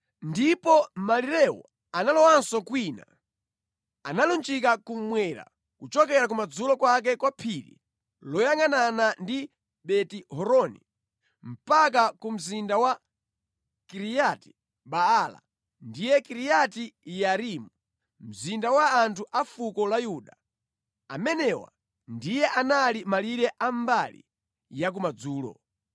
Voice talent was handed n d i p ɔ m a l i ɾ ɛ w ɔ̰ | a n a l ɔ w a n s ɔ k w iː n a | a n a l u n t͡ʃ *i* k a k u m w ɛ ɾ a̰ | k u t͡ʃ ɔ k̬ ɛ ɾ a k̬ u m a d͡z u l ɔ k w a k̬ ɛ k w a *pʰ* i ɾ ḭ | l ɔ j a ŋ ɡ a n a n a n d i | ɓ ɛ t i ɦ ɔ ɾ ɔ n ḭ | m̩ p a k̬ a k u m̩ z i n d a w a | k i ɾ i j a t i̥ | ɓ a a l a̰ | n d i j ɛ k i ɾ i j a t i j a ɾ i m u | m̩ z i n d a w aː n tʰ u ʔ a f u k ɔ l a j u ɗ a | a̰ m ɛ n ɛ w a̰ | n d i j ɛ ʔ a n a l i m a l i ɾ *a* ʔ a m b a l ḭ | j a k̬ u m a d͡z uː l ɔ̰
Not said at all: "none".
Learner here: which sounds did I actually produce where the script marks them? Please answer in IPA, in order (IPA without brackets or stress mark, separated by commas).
i, pʰ, ɛ